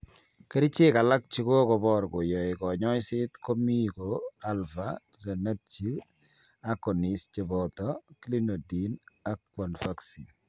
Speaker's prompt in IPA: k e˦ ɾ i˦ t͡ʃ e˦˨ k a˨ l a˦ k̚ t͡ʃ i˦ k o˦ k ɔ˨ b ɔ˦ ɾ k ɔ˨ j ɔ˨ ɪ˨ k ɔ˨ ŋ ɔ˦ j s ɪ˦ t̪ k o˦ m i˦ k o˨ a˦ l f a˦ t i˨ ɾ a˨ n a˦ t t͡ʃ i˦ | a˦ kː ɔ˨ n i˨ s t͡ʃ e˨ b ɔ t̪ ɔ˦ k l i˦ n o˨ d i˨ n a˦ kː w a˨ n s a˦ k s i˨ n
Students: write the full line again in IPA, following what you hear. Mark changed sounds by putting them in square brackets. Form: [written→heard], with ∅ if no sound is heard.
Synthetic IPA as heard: k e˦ ɾ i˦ t͡ʃ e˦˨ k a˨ l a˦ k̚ t͡ʃ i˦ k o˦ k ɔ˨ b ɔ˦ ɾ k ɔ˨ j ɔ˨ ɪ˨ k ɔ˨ [ŋ→ɲ] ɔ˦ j s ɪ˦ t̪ k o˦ m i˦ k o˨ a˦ l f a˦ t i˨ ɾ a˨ n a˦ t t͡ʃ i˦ | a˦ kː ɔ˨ n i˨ s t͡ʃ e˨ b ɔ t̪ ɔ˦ k l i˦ n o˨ d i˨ n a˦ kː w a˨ n [s→f] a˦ k s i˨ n

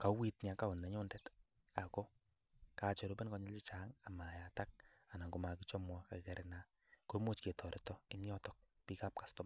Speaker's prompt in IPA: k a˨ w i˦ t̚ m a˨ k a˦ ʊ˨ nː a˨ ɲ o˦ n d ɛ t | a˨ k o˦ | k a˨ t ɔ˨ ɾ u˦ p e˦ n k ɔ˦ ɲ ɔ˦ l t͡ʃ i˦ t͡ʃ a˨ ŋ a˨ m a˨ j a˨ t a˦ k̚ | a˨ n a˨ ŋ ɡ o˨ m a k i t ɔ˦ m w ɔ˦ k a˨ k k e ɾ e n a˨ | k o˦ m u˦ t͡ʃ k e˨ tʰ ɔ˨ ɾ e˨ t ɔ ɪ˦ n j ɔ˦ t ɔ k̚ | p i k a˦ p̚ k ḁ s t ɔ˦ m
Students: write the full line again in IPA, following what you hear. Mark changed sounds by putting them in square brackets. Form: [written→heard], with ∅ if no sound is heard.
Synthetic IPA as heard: k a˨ w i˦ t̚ [m→ɲ] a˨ k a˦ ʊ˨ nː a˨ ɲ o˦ n d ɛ t | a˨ k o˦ | k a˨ [t→t͡ʃ] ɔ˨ ɾ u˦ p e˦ n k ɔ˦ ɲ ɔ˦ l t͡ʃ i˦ t͡ʃ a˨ ŋ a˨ m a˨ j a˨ t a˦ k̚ | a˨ n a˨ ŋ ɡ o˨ m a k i [t→t͡ʃ] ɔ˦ m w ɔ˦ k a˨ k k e ɾ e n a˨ | k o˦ m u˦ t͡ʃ k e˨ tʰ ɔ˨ ɾ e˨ t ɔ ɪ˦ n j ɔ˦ t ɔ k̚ | p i k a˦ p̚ k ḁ s t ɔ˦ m

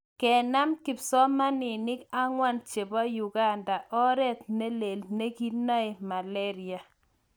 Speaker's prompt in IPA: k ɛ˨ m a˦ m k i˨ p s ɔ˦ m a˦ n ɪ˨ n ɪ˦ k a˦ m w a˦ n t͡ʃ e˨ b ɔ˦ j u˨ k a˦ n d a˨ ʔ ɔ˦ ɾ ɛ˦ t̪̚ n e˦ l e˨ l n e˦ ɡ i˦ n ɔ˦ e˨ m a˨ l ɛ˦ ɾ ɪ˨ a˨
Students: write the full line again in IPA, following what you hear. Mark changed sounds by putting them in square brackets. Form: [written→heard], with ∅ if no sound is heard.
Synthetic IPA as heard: k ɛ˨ [m→n] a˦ m k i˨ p s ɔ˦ m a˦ n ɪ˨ n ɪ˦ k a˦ [m→ŋ] w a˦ n t͡ʃ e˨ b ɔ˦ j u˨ [k→ɡ] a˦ n d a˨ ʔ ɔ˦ ɾ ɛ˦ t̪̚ n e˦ l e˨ l n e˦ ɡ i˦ n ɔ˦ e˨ m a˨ l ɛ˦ ɾ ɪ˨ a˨

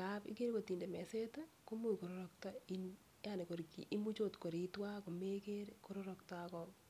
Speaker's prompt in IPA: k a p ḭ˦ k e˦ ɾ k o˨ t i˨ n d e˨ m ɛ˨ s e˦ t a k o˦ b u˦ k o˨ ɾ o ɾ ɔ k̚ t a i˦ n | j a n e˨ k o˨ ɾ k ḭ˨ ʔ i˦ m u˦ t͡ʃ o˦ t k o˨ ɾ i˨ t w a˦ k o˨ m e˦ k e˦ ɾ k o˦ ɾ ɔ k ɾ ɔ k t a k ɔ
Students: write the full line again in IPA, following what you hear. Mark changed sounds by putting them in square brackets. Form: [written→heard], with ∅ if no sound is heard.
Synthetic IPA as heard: k a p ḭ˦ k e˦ ɾ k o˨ t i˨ n d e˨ m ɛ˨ s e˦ t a k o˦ [b→m] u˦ k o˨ ɾ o ɾ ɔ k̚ t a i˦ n | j a n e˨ k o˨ ɾ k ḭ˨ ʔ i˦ m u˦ t͡ʃ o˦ t k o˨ ɾ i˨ t w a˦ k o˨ m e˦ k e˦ ɾ k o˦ ɾ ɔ [k→∅] ɾ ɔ k t a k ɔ

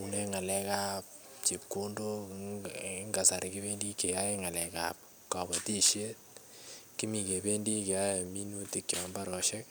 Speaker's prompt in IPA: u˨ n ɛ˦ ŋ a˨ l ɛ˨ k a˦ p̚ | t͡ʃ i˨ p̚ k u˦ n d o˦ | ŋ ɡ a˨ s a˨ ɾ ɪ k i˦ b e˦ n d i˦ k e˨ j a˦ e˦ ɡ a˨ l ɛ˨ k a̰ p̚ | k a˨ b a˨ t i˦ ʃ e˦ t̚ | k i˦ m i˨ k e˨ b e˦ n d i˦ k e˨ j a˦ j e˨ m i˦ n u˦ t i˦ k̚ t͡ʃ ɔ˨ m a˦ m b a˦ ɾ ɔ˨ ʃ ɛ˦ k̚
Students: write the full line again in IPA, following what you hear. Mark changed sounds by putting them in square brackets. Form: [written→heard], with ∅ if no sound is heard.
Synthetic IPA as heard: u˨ n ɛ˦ ŋ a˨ l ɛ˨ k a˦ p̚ | t͡ʃ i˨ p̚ k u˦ n d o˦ | ŋ ɡ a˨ s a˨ ɾ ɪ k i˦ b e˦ n d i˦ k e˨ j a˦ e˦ [ɡ→ŋ] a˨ l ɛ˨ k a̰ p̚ | k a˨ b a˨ t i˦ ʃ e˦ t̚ | k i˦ m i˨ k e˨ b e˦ n d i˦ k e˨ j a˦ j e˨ m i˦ n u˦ t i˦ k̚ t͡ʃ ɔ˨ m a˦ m b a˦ ɾ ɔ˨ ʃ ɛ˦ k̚

